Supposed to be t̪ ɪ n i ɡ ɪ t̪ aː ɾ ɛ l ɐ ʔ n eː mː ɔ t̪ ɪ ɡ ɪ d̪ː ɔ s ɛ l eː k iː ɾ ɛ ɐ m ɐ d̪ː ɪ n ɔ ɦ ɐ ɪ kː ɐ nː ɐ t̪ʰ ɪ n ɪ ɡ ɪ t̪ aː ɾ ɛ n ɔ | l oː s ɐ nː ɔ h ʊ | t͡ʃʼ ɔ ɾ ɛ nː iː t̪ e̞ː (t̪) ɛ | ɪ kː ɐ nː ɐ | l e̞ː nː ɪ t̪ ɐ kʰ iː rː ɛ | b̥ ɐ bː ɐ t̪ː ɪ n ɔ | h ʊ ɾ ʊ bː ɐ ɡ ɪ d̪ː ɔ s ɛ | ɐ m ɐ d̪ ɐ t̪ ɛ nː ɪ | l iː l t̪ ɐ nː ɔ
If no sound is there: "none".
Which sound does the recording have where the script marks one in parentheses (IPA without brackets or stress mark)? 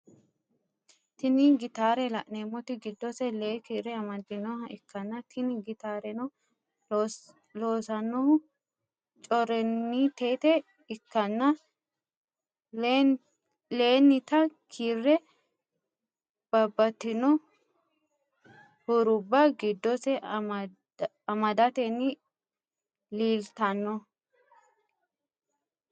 t̪